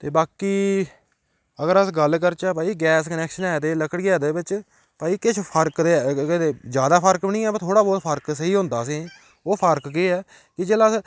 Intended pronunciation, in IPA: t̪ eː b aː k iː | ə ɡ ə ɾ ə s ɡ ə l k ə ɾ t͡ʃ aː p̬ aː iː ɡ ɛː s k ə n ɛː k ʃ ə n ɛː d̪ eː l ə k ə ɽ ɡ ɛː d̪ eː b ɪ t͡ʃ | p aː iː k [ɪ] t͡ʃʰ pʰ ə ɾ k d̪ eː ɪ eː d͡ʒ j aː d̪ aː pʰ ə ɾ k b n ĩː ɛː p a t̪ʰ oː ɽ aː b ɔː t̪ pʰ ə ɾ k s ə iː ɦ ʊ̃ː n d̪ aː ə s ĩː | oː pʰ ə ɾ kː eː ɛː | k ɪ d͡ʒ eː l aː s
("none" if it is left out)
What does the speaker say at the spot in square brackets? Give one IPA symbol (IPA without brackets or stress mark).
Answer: ɪ